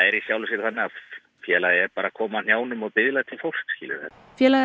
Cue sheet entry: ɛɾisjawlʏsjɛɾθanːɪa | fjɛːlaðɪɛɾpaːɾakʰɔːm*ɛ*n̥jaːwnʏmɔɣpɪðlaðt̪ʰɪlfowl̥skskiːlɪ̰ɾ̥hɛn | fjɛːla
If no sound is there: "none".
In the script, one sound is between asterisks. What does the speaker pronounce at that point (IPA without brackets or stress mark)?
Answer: a